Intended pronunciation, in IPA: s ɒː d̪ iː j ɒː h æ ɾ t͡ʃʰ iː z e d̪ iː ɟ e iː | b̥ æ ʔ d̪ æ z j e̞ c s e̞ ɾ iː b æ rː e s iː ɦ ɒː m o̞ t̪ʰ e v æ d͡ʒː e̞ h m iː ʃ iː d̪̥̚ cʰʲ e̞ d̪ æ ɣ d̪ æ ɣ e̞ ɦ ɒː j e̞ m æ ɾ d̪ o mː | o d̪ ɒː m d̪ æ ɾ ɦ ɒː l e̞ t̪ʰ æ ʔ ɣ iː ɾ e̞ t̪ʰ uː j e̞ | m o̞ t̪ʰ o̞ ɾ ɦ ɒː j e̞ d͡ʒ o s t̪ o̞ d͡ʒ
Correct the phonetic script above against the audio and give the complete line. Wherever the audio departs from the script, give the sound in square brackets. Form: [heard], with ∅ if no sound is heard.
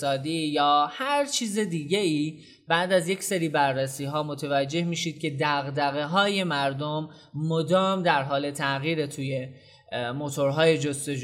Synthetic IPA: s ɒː d̪ iː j ɒː h æ ɾ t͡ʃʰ iː z e d̪ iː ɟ e iː | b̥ æ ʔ d̪ æ z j e̞ c s e̞ ɾ iː b æ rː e s iː ɦ ɒː m o̞ t̪ʰ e v æ d͡ʒː e̞ h m iː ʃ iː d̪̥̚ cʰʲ e̞ d̪ æ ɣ d̪ æ ɣ e̞ ɦ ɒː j e̞ m æ ɾ d̪ o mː | o d̪ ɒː m d̪ æ ɾ ɦ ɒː l e̞ t̪ʰ æ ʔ ɣ iː ɾ e̞ t̪ʰ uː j e̞ | m o̞ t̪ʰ o̞ ɾ ɦ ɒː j e̞ d͡ʒ o s t̪ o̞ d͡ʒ